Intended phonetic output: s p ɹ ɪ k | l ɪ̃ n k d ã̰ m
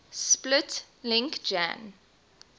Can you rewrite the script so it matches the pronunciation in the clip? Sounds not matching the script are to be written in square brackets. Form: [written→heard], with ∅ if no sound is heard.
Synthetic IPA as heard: s p [ɹ→l] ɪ [k→t] | l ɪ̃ [n→ŋ] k [d→d͡ʒ] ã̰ [m→n]